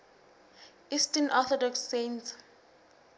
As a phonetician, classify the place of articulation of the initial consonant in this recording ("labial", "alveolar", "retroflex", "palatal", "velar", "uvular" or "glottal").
alveolar